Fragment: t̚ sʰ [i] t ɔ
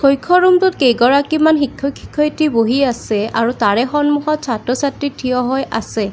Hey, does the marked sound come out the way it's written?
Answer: no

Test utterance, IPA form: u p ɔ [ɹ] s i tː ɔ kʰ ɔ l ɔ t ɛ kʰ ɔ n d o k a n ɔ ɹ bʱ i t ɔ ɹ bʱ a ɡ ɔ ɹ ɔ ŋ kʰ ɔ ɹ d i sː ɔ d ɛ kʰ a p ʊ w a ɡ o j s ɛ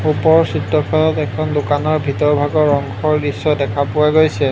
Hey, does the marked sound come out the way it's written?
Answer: yes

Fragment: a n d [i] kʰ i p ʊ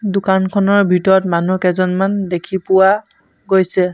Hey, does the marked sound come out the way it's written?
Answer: no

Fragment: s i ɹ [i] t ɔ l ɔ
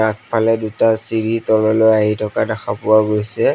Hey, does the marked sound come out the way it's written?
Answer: yes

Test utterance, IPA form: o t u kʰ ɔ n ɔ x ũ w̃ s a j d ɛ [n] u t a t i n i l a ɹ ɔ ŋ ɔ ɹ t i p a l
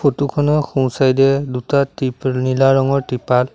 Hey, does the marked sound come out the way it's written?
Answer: no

